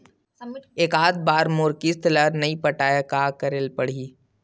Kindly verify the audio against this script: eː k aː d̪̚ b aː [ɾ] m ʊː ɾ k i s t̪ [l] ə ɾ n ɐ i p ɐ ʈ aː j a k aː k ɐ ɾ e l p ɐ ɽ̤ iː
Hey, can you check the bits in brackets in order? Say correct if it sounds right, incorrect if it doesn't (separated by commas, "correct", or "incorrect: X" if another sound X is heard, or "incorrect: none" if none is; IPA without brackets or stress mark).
correct, correct